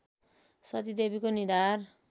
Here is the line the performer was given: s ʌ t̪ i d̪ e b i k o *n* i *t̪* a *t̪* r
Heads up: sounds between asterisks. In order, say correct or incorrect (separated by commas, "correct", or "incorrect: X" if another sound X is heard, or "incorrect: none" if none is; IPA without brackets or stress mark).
correct, incorrect: d̪, incorrect: none